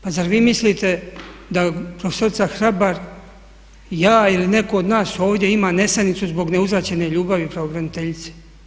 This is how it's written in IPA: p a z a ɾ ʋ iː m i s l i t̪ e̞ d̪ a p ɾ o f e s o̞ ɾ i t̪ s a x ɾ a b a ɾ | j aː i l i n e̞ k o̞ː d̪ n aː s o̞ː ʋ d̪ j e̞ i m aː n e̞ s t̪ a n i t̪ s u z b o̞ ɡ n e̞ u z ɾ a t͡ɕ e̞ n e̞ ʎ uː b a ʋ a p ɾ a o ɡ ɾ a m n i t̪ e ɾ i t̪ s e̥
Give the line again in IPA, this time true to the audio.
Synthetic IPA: p a z a ɾ ʋ iː m i s l i t̪ e̞ d̪ a p ɾ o f e s o̞ ɾ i t̪ s a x ɾ a b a ɾ | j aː i l i n e̞ k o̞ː d̪ n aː s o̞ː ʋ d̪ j e̞ i m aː n e̞ s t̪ a n i t̪ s u z b o̞ ɡ n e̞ u z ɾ a t͡ɕ e̞ n e̞ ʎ uː b a ʋ i p ɾ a o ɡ ɾ a n i t̪ e ʎ i t̪ s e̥